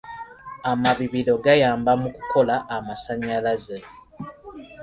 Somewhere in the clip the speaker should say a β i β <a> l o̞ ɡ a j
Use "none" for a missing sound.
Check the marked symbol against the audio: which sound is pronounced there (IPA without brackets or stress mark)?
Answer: i